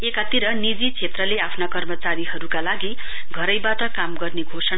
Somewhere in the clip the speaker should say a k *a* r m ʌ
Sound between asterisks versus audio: incorrect: ʌ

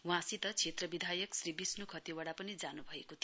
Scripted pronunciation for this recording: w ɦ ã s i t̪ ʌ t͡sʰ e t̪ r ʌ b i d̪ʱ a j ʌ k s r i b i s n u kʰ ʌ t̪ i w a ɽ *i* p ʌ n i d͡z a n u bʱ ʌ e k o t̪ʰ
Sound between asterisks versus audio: incorrect: a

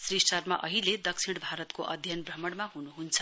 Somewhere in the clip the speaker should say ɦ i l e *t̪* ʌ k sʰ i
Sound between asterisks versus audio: incorrect: d̪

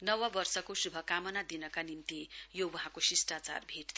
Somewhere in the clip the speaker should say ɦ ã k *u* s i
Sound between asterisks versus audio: incorrect: o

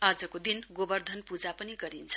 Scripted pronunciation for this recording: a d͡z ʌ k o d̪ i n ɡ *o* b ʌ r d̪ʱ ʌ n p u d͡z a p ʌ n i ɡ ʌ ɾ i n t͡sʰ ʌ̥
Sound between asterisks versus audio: correct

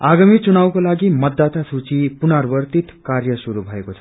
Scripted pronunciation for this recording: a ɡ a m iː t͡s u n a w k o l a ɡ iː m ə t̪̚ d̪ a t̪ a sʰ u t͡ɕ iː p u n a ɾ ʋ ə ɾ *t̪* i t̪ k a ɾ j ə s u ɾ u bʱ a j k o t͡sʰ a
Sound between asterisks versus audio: correct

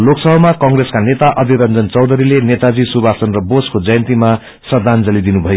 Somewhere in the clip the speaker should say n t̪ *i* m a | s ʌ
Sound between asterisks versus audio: correct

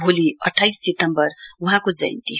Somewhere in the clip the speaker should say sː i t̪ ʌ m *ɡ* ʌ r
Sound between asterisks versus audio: incorrect: b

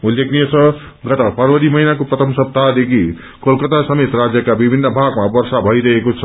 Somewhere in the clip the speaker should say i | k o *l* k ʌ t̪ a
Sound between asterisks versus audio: correct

